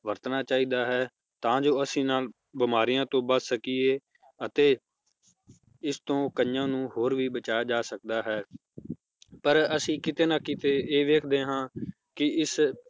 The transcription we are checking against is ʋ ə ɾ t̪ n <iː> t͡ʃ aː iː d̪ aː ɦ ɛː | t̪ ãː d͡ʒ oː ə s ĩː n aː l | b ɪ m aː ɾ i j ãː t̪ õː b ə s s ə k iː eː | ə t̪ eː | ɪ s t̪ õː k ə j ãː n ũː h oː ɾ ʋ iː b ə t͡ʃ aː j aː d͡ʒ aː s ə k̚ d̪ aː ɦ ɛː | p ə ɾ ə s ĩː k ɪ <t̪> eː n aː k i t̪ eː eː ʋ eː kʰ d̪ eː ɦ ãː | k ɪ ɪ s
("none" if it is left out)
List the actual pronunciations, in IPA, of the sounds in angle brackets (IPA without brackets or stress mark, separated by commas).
aː, t̪